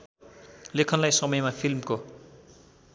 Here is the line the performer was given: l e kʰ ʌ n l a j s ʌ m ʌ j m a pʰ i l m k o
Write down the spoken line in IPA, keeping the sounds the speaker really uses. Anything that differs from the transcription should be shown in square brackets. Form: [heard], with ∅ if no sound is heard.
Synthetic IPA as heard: l e kʰ ʌ n l a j s ʌ m ʌ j m a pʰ i l m k o